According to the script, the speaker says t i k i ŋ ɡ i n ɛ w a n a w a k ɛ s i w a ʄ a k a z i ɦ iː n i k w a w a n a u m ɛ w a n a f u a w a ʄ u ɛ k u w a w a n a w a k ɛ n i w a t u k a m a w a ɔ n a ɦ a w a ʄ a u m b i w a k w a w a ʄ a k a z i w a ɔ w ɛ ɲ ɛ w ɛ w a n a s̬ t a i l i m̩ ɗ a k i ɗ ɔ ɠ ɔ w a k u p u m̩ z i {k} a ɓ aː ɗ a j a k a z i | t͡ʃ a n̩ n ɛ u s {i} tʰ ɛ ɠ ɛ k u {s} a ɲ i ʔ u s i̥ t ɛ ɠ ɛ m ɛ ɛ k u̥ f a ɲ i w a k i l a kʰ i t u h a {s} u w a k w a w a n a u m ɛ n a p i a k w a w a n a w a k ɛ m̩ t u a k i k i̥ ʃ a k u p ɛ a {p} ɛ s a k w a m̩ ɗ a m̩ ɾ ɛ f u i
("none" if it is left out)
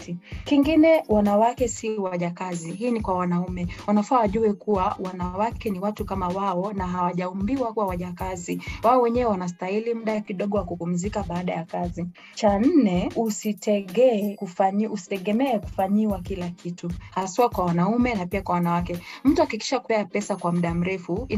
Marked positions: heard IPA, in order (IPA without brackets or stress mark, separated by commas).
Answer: k, i, f, s, p